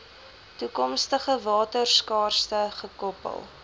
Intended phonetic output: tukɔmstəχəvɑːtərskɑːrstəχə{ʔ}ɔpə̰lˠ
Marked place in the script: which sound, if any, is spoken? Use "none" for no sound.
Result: k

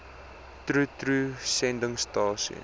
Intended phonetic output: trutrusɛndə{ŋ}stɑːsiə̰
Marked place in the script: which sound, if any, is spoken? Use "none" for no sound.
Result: ŋ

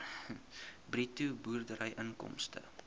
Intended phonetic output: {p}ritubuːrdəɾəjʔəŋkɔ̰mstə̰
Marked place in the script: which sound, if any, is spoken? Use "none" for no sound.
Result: b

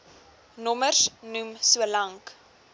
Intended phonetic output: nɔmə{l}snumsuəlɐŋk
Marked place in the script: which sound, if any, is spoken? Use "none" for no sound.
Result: r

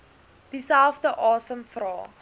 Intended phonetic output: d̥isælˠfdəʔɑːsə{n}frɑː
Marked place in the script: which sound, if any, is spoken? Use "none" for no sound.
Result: m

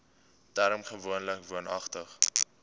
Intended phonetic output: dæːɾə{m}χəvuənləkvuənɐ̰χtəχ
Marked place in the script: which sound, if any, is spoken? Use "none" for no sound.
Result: m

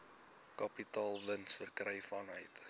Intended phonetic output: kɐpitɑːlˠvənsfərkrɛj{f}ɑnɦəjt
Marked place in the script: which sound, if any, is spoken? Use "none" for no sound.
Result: f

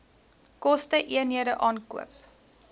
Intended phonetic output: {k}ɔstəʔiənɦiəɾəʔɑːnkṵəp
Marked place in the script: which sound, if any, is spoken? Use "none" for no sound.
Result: k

